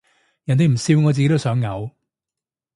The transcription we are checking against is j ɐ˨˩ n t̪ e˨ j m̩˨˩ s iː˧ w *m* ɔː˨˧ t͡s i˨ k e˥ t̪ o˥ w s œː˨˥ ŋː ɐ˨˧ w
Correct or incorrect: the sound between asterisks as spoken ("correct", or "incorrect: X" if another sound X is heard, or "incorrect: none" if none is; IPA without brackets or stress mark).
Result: incorrect: ŋ